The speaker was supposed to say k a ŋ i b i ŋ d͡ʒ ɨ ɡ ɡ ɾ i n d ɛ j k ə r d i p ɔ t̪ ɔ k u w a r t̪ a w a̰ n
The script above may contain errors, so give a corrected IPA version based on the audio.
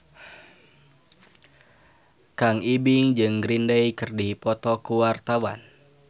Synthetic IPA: k a ŋ i b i ŋ d͡ʒ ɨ ŋ ɡ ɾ i n d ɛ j k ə r d i p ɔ t̪ ɔ k u w a r t̪ a w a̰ n